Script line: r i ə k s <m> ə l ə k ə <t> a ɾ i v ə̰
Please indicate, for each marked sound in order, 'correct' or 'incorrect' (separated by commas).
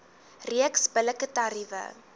incorrect, correct